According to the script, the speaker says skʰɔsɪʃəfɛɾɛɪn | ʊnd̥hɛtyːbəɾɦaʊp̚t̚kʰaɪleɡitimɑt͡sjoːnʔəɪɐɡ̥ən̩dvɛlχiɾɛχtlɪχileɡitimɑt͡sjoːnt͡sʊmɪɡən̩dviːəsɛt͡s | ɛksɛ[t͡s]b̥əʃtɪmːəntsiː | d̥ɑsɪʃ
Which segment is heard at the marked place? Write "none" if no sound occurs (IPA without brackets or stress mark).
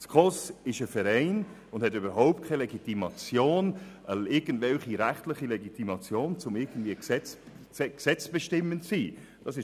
t͡s